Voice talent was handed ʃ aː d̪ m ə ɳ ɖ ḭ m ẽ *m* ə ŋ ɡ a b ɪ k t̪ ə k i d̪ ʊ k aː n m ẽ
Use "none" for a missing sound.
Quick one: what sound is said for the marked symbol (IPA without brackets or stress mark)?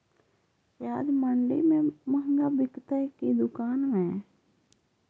m